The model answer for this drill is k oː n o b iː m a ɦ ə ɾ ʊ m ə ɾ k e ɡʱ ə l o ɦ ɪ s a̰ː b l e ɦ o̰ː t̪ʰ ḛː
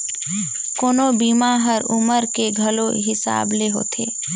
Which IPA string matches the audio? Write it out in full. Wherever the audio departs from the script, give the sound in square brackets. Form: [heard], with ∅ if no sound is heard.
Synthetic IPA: k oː n o b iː m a ɦ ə ɾ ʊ m ə ɾ k e ɡʱ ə l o ɦ ɪ s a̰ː b l e ɦ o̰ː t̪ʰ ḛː

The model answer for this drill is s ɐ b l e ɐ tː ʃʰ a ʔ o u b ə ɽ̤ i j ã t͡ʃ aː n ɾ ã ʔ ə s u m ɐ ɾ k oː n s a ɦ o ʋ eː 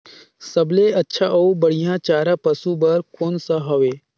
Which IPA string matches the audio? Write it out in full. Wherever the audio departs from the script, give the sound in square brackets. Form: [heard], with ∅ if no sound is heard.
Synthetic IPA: s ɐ b l e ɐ tː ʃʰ a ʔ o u b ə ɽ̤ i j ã t͡ʃ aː [∅] ɾ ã [p] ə s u [b] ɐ ɾ k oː n s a ɦ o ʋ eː

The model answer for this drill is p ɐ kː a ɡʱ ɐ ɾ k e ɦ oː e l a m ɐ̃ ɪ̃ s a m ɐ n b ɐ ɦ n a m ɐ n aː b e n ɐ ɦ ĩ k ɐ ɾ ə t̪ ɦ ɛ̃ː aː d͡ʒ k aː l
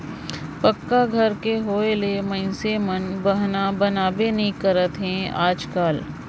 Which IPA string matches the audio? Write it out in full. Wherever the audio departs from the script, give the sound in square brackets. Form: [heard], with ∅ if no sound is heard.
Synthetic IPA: p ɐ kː a ɡʱ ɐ ɾ k e ɦ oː e l [e] m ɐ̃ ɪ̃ s [e] m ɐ n b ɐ ɦ n a [b] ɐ n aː b e n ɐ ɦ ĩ k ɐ ɾ ə t̪ ɦ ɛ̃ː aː d͡ʒ k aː l

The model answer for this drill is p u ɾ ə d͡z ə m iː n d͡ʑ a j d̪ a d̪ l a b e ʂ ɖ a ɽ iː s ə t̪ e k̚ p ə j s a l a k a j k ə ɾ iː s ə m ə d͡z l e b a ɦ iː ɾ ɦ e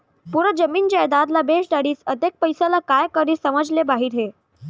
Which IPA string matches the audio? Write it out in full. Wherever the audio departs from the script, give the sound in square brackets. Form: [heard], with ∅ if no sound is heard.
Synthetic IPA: p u ɾ ə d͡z ə m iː n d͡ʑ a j d̪ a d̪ l a b e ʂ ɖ a ɽ iː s ə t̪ e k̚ p ə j s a l a k a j k ə ɾ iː s ə m ə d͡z l e b a ɦ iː ɾ ɦ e

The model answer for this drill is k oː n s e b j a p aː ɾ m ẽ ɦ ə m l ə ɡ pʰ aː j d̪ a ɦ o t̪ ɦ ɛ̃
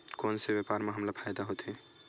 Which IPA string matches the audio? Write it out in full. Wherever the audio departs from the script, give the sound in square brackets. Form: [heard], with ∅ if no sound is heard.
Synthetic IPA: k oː n s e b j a p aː ɾ m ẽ ɦ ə m l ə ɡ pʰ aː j d̪ a ɦ o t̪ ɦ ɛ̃

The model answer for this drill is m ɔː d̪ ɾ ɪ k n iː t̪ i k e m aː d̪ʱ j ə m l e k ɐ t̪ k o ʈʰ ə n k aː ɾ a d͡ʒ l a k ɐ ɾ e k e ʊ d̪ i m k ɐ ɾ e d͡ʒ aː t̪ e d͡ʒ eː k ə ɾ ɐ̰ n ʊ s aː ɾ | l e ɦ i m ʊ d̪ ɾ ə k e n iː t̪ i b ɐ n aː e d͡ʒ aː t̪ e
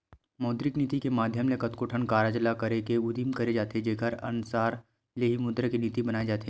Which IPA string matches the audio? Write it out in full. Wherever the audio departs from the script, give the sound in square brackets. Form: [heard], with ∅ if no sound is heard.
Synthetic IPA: m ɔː d̪ ɾ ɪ k n iː t̪ i k e m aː d̪ʱ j ə m l e k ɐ t̪ k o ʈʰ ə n k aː ɾ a d͡ʒ l a k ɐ ɾ e k e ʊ d̪ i m k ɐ ɾ e d͡ʒ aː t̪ e d͡ʒ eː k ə ɾ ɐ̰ n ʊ s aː ɾ | l e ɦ i m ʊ d̪ ɾ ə k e n iː t̪ i b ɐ n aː e d͡ʒ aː t̪ e

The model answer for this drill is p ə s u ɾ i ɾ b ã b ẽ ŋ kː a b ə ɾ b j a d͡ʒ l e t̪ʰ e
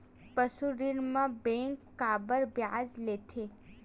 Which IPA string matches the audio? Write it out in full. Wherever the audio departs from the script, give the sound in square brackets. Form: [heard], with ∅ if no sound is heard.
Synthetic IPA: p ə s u ɾ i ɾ [m] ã b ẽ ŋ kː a b ə ɾ b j a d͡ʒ l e t̪ʰ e

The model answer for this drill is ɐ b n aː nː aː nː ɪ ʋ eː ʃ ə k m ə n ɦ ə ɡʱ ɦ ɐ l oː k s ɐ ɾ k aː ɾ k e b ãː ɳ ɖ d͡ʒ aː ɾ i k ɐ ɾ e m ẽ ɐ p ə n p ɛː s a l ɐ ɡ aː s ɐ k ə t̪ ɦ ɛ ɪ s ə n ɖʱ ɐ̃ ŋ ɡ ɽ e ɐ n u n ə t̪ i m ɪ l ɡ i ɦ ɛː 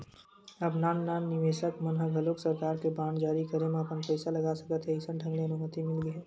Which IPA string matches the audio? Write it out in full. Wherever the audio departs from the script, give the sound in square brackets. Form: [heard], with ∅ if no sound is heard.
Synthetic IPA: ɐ b n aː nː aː nː ɪ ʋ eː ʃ ə k m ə n ɦ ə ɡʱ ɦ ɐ l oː k s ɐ ɾ k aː ɾ k e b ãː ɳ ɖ d͡ʒ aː ɾ i k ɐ ɾ e m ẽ ɐ p ə n p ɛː s a l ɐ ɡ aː s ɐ k ə t̪ ɦ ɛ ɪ s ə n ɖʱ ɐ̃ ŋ ɡ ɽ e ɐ n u [m] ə t̪ i m ɪ l ɡ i ɦ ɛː

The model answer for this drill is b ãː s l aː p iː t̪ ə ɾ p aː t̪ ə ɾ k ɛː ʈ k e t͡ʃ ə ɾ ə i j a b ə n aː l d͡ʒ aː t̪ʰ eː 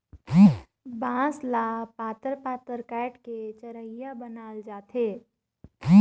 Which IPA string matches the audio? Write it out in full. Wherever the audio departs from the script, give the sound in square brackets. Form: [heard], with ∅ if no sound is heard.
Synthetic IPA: b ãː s l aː p [aː] t̪ ə ɾ p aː t̪ ə ɾ k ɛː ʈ k e t͡ʃ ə ɾ ə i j a b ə n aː l d͡ʒ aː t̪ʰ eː

